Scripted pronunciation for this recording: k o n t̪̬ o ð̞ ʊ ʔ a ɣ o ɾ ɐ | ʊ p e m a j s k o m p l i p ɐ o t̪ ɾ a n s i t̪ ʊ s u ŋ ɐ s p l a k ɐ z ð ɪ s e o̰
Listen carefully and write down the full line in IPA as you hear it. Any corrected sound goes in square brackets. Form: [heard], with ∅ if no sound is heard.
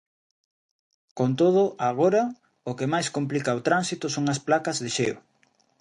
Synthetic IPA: k o n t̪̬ o ð̞ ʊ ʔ a ɣ o ɾ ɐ | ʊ [k] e m a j s k o m p l i [k] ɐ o t̪ ɾ a n s i t̪ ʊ s [o] ŋ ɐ s p l a k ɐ z ð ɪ [ʃ] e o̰